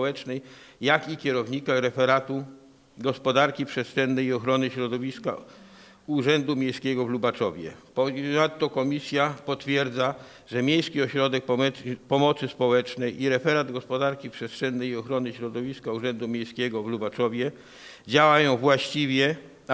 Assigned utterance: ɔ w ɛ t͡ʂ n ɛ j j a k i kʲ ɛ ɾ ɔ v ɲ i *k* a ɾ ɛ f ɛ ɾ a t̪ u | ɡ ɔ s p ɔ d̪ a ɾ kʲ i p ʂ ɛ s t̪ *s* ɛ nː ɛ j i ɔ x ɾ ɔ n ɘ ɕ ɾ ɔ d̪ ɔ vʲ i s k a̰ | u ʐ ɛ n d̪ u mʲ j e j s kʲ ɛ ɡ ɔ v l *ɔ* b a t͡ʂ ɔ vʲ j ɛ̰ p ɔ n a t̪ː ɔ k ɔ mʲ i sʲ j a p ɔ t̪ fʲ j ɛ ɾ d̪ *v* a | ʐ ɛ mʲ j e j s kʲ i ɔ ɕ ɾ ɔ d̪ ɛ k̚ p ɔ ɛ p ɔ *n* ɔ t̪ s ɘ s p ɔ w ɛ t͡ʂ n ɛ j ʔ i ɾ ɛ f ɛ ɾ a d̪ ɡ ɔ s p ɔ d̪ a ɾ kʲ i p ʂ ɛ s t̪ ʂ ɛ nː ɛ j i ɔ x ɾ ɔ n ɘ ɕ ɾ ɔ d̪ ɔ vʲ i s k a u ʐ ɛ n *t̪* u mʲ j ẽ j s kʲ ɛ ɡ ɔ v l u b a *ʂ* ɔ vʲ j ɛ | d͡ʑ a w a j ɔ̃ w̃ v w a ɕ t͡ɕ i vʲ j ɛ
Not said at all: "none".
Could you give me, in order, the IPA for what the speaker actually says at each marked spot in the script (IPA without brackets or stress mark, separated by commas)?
k, ʂ, u, z, m, d̪, t͡ʂ